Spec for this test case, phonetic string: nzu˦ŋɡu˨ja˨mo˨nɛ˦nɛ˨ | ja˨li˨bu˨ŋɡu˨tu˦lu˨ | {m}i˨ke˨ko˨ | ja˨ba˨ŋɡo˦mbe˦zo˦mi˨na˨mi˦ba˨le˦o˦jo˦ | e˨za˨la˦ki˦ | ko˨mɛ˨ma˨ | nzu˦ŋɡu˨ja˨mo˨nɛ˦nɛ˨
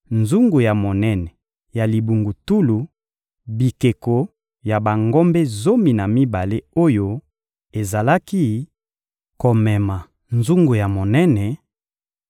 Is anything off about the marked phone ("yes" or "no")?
yes